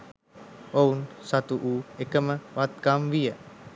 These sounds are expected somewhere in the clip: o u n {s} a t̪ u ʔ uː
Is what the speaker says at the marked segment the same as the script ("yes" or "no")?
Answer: yes